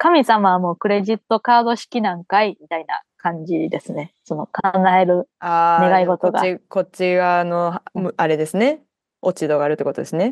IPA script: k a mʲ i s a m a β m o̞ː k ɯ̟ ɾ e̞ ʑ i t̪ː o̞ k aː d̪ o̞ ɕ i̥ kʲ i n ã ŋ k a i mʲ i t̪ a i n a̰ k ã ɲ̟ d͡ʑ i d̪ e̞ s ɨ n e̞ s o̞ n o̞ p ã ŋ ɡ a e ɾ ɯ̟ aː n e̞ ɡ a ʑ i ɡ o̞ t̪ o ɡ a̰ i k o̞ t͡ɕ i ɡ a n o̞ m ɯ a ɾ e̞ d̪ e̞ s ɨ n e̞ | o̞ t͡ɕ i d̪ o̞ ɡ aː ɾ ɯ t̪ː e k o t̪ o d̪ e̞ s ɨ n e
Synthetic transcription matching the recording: k a mʲ i s a m a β m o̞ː k ɯ̟ ɾ e̞ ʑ i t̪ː o̞ k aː d̪ o̞ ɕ i̥ kʲ i n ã ŋ k a i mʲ i t̪ a i n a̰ k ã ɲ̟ d͡ʑ i d̪ e̞ s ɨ n e̞ s o̞ n o̞ k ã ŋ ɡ a e ɾ ɯ̟ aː n e̞ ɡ a i ɡ o̞ t̪ o ɡ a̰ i k o̞ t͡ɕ i ɡ a n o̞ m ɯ a ɾ e̞ d̪ e̞ s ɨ n e̞ | o̞ t͡ɕ i d̪ o̞ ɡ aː ɾ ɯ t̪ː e k o t̪ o d̪ e̞ s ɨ n e